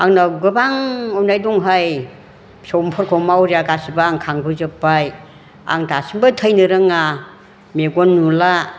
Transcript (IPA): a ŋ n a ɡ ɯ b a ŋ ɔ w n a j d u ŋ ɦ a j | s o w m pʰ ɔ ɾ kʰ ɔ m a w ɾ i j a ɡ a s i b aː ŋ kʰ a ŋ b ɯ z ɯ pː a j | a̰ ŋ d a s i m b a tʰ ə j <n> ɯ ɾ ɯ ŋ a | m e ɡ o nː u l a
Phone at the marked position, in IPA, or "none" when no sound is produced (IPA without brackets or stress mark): n